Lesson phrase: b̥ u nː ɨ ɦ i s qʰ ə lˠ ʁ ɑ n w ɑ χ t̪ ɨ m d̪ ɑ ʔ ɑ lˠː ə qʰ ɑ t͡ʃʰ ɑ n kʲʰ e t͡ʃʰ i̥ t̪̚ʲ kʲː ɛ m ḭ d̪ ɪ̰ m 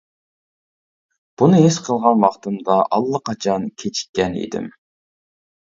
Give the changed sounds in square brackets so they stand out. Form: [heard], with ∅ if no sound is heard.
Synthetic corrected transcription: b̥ u [n] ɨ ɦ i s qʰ ə lˠ ʁ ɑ n w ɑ χ t̪ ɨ m d̪ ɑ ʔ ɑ lˠː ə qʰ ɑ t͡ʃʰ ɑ n kʲʰ e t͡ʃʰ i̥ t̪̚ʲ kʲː ɛ [n] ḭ d̪ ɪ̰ m